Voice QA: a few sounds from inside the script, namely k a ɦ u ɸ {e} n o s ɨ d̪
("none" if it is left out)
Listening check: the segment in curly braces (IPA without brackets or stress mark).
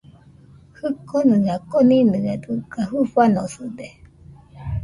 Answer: a